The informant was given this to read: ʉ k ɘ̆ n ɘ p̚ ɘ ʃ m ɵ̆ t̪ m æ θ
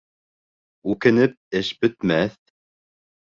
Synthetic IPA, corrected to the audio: ʉ k ɘ̆ n ɘ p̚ ɘ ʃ b ɵ̆ t̪ m æ θ